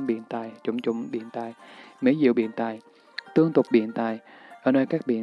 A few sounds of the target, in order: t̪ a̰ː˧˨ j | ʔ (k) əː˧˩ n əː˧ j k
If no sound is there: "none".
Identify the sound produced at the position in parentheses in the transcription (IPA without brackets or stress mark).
ʔ